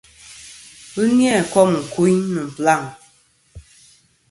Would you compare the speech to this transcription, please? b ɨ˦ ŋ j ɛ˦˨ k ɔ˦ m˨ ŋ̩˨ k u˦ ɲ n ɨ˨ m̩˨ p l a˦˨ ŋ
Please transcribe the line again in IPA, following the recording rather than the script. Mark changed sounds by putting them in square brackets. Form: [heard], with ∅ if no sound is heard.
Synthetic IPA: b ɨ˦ [n] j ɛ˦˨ k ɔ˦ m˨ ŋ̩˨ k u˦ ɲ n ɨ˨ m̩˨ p l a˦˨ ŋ